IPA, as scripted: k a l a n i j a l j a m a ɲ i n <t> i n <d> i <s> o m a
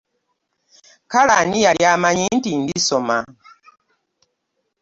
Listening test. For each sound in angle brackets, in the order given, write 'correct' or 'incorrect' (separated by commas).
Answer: correct, correct, correct